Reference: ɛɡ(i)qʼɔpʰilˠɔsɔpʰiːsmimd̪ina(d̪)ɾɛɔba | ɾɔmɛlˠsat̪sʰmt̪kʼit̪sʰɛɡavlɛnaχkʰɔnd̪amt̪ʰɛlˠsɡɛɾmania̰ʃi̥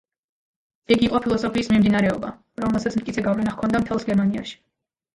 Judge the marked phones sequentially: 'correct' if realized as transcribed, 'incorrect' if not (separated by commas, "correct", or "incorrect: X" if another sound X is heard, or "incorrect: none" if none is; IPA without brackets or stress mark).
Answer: correct, incorrect: none